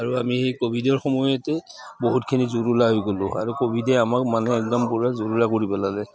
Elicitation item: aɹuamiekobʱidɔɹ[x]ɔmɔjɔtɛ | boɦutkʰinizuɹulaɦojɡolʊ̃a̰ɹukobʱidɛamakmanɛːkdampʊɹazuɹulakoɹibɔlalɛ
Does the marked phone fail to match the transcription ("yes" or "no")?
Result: no